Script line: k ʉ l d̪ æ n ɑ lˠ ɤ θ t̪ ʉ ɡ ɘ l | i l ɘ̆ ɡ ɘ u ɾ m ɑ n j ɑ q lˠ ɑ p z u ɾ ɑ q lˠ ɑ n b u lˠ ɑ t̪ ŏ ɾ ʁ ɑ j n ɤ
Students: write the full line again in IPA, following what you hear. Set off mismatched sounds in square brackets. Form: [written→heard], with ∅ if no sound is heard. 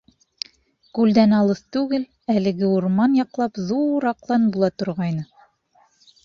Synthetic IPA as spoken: k ʉ l d̪ æ n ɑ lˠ ɤ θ t̪ ʉ ɡ ɘ l | [i→æ] l ɘ̆ ɡ ɘ u ɾ m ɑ n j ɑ q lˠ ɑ p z u ɾ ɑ q lˠ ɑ n b u lˠ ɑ t̪ ŏ ɾ ʁ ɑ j n ɤ